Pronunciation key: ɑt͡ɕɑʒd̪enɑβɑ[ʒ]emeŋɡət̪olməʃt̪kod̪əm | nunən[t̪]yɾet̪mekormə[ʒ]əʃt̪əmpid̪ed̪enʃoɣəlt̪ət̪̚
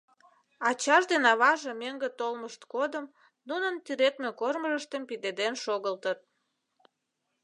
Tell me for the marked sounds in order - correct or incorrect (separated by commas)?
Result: correct, correct, correct